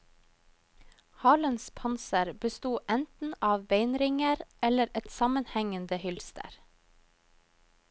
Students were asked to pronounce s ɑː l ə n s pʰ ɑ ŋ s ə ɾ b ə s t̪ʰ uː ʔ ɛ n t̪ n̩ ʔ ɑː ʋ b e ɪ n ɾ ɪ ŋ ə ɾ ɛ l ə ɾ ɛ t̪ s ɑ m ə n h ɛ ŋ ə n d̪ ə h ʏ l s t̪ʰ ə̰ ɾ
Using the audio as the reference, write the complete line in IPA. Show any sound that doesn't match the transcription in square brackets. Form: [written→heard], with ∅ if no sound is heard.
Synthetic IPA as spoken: [s→h] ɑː l ə n s pʰ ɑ [ŋ→n] s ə ɾ b ə s [t̪ʰ→t̪] uː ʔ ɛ n t̪ n̩ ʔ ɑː ʋ b e ɪ n ɾ ɪ ŋ ə ɾ ɛ l ə ɾ ɛ t̪ s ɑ m ə n h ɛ ŋ ə n d̪ ə h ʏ l s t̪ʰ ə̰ ɾ